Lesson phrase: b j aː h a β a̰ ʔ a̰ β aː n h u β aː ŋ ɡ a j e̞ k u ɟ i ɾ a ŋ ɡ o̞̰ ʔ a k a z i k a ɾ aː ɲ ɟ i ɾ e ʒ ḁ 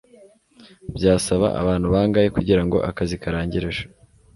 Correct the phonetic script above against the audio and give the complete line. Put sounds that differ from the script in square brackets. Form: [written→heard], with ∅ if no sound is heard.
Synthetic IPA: b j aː [h→s] a β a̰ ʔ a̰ β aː n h u β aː ŋ ɡ a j e̞ k u ɟ i ɾ a ŋ ɡ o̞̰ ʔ a k a z i k a ɾ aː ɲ ɟ i ɾ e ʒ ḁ